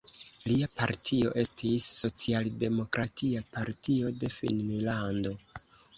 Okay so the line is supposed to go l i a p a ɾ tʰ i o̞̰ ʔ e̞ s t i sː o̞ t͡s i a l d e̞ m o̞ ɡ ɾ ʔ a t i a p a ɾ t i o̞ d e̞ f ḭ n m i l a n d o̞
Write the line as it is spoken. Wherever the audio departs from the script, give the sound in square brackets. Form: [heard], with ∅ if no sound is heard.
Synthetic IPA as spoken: l i a p a ɾ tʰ i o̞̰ ʔ e̞ s t i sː o̞ t͡s i a l d e̞ m o̞ [k] ɾ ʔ a t i a p a ɾ t i o̞ d e̞ f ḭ n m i l a n d o̞